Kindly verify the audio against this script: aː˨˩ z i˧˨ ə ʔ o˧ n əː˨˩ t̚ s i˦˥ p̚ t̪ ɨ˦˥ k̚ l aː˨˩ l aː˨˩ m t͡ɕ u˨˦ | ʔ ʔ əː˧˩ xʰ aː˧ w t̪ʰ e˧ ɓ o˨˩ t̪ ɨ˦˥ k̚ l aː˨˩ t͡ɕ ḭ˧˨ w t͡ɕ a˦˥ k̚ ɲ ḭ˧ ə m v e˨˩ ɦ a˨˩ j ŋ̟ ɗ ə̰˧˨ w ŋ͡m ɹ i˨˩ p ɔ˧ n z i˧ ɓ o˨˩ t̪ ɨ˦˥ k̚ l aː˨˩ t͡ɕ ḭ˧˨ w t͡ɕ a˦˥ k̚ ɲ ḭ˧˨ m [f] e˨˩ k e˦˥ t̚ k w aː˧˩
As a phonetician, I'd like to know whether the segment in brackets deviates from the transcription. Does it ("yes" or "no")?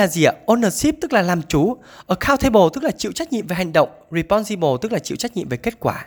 yes